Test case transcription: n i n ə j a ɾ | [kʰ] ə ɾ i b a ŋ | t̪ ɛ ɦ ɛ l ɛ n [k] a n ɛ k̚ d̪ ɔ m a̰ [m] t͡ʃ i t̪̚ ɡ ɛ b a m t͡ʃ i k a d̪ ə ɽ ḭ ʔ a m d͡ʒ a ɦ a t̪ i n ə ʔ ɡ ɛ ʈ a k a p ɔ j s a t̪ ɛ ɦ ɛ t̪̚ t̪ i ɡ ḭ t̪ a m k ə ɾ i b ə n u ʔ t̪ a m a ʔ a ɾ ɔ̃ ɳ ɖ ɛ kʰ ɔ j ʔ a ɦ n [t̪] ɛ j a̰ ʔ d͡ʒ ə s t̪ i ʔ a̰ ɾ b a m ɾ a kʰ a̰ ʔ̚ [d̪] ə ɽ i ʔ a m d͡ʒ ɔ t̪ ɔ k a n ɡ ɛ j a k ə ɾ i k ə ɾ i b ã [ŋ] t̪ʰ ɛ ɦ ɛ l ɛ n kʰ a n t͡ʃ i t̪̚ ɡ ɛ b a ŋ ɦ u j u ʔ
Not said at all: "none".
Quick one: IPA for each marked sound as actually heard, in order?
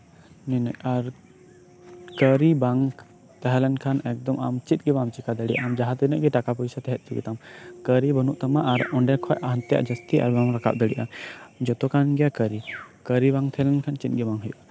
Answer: k, kʰ, m, t̪, d̪, ŋ

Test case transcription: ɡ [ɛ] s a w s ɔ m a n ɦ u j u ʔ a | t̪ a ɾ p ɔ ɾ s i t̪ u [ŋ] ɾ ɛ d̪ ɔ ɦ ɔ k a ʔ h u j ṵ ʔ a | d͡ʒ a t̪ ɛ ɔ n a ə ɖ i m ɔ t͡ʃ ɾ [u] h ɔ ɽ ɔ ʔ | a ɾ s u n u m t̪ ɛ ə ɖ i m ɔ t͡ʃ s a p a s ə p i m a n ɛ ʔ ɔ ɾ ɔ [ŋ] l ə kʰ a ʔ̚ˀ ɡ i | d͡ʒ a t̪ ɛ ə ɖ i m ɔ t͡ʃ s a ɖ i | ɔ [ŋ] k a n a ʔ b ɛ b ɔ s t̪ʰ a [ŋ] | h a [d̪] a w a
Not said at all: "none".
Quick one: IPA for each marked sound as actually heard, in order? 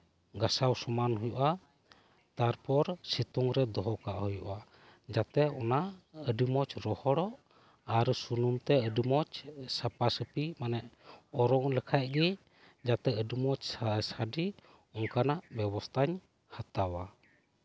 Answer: a, ŋ, ɔ, ŋ, ŋ, ɲ, t̪

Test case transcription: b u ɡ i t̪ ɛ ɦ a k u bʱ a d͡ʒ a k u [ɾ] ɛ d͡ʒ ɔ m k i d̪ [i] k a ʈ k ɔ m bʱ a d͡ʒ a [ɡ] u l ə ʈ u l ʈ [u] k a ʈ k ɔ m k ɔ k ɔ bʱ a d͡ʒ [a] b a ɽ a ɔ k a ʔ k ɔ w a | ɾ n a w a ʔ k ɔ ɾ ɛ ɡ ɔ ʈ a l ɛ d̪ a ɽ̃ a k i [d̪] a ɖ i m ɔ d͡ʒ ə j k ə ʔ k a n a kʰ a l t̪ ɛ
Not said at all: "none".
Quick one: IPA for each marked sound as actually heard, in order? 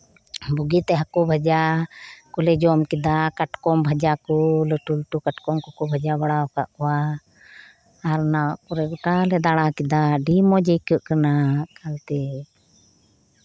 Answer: l, a, k, u, a, d̪

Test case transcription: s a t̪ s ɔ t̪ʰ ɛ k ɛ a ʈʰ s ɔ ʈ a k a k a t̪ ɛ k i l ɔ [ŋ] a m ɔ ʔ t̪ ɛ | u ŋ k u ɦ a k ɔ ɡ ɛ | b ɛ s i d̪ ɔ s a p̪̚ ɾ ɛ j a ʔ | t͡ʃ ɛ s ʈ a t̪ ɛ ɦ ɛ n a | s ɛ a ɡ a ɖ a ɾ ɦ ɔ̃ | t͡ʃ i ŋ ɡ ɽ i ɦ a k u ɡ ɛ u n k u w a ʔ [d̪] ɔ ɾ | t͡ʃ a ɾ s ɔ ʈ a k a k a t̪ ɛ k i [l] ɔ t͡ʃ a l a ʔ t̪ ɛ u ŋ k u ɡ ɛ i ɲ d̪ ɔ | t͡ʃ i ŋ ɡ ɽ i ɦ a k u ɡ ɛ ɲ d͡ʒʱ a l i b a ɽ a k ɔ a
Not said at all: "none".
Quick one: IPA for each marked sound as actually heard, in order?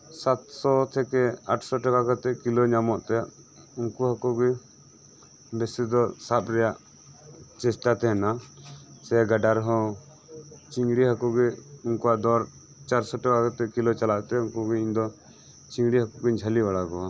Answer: ɲ, d̪, l

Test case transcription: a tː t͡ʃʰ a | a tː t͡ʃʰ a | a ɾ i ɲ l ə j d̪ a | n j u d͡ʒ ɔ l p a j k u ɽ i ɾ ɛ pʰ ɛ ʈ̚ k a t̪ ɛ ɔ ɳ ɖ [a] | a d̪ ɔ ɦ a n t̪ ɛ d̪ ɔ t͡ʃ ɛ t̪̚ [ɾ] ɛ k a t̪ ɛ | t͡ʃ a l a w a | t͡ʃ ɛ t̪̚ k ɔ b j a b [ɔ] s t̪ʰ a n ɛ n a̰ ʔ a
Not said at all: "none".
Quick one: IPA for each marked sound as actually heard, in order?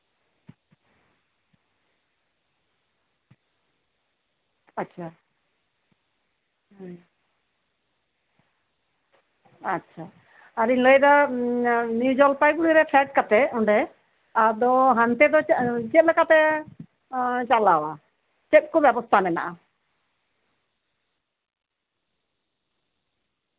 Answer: ɛ, l, ɔ

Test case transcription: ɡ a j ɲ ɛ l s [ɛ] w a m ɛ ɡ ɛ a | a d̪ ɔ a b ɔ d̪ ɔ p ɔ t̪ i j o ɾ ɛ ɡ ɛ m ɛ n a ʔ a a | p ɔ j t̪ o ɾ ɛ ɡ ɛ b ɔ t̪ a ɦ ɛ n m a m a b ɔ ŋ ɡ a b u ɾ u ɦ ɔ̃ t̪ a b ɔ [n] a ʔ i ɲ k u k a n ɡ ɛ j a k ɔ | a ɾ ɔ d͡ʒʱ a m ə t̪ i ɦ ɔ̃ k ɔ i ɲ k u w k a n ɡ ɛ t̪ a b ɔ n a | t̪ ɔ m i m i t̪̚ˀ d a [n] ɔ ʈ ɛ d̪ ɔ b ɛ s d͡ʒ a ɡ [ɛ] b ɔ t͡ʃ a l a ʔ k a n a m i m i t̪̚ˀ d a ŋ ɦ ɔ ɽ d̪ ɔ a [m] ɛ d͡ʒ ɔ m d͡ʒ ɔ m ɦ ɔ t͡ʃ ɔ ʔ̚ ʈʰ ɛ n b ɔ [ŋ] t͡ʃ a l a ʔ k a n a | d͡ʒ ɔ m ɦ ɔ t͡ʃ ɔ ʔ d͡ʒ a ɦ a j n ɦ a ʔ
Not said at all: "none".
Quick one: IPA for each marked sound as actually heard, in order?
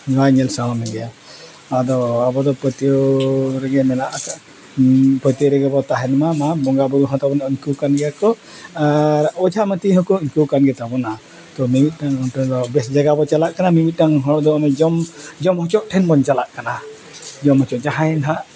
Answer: a, n, ŋ, a, m, n

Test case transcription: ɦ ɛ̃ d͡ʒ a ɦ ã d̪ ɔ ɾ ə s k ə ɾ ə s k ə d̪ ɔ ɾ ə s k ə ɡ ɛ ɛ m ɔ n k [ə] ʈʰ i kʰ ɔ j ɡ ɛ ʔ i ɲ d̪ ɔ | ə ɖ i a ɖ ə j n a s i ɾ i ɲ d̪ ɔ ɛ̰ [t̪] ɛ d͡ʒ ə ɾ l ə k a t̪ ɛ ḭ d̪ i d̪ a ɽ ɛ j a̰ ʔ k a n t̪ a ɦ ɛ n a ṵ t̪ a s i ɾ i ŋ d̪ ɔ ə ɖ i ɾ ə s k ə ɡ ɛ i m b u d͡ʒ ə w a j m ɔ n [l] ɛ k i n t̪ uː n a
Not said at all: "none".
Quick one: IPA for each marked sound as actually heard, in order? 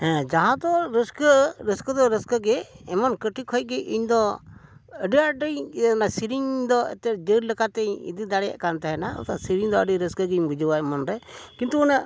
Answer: ə, t̪, ɾ

